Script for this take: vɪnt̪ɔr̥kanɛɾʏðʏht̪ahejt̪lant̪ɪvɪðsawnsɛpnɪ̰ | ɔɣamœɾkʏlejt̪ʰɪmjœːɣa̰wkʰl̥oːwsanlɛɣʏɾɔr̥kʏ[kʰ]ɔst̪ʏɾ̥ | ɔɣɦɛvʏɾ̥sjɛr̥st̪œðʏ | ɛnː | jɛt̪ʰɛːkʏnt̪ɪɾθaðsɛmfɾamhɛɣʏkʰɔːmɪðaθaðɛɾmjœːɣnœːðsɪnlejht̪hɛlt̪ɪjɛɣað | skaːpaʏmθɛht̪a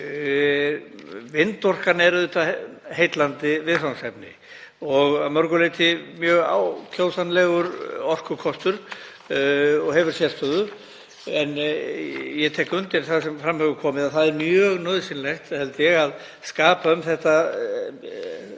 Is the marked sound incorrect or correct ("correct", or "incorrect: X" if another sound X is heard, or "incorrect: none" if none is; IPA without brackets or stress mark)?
correct